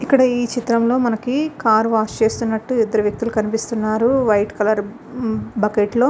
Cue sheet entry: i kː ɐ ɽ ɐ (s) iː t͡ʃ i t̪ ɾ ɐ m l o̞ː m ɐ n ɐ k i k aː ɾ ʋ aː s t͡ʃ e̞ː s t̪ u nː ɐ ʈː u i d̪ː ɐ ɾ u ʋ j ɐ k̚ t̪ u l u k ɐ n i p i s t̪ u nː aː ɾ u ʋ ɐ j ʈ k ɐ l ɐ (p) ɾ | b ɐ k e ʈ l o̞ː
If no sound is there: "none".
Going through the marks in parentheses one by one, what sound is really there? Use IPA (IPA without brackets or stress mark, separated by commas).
none, none